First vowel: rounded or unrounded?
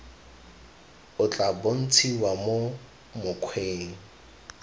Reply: rounded